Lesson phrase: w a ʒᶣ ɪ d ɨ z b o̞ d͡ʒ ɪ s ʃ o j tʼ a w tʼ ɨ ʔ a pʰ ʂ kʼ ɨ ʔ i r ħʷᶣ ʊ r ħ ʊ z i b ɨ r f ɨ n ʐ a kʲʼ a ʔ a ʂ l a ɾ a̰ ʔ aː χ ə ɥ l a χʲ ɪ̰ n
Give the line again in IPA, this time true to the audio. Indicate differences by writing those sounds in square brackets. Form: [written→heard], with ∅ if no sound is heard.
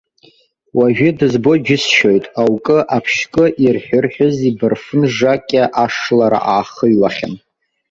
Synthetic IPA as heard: w a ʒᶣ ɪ d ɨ z b o̞ d͡ʒ ɪ s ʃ o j tʼ a w [tʼ→kʼ] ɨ ʔ a pʰ [ʂ→ʃ] kʼ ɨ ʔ i r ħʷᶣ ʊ r ħ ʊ z i b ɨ r f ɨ n ʐ a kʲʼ a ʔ a ʂ l a ɾ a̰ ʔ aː χ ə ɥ l a χʲ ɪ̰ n